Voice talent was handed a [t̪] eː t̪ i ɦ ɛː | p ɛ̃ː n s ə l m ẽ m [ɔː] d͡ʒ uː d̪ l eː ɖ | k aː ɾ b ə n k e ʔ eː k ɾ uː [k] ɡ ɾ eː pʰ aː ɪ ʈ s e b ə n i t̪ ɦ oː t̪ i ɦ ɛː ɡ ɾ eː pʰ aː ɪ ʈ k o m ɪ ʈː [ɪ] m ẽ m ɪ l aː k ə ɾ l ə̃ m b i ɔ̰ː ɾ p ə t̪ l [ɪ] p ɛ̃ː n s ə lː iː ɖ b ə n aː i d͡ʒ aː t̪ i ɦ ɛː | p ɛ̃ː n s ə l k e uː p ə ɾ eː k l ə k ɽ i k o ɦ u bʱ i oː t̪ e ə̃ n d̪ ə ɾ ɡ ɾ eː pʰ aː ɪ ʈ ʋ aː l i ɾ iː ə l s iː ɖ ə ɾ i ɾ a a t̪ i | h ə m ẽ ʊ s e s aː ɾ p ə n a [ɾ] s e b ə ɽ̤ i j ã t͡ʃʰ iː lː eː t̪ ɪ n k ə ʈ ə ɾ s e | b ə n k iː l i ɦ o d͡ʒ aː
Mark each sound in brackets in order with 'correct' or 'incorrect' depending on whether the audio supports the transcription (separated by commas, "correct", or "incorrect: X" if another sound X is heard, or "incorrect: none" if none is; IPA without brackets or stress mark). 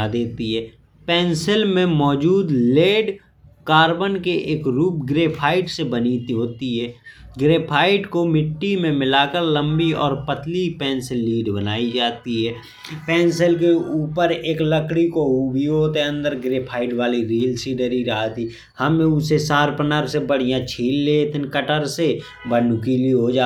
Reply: incorrect: d̪, correct, incorrect: p, incorrect: i, incorrect: i, correct